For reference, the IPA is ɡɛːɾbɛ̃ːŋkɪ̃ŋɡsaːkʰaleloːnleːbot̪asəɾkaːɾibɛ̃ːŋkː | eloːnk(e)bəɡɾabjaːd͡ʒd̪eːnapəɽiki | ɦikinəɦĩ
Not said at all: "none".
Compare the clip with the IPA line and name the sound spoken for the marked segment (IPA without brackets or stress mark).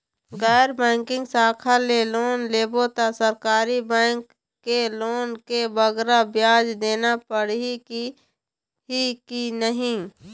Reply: e